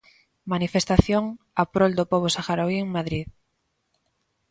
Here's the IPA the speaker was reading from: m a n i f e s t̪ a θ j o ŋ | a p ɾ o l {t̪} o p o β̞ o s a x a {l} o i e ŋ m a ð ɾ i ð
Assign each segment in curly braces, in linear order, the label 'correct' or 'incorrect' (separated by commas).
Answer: incorrect, incorrect